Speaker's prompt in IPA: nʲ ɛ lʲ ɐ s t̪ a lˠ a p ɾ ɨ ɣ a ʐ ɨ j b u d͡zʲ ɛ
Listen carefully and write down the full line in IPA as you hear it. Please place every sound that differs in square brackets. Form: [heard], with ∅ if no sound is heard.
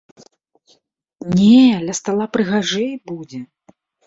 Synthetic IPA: nʲ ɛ lʲ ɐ s t̪ a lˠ a p ɾ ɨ ɣ a ʐ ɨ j b u d͡zʲ ɛ